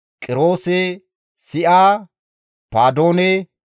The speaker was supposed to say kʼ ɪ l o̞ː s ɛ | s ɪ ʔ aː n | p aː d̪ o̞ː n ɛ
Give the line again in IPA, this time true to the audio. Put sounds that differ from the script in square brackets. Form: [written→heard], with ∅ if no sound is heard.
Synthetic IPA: kʼ ɪ [l→ɾ] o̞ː s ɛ | s ɪ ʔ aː [n→∅] | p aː d̪ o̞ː n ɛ